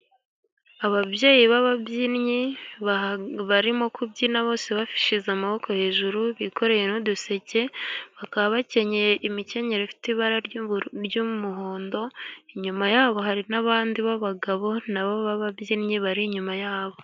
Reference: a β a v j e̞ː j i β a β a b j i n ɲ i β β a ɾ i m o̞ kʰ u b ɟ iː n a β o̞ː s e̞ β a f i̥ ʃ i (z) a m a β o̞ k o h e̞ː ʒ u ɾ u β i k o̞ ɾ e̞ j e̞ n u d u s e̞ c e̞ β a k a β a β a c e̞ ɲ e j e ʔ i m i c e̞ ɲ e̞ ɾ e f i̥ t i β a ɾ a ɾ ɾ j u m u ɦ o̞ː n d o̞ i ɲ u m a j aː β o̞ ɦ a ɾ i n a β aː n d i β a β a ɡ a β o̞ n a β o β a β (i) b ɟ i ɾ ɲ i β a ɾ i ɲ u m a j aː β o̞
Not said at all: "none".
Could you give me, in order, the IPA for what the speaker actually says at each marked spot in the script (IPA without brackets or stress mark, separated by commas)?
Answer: z, a